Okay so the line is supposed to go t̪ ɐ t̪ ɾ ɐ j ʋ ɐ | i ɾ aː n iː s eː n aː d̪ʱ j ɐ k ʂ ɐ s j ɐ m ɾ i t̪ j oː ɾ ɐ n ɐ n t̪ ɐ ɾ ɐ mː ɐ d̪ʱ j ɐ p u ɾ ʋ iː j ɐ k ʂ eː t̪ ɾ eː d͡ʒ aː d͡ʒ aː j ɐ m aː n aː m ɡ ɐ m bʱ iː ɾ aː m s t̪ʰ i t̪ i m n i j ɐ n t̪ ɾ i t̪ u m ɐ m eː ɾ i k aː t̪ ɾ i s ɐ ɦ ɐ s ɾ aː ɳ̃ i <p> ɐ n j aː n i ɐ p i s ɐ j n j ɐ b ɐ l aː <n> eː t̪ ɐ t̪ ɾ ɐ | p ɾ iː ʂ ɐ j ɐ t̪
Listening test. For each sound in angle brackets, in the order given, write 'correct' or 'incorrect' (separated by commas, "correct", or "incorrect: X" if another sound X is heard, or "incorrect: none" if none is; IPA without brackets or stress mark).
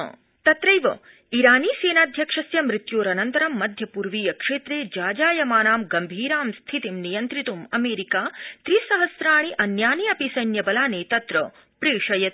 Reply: incorrect: ʔ, correct